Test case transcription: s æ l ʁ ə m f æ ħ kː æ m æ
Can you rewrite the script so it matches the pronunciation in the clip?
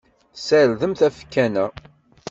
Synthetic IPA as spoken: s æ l ð ə m θ æ f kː æ n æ